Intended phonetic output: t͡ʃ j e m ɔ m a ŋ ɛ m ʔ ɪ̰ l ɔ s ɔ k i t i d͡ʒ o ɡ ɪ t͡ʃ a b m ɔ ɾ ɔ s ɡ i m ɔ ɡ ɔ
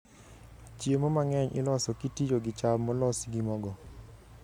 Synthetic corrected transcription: t͡ʃ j e m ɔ m a ŋ ɛ ɲ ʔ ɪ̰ l ɔ s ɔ k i t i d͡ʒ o ɡ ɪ t͡ʃ a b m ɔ l ɔ s ɡ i m ɔ ɡ ɔ